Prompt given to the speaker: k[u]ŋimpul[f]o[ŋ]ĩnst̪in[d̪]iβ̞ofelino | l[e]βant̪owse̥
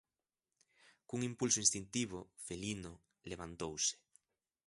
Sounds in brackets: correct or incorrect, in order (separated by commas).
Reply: correct, incorrect, incorrect, incorrect, correct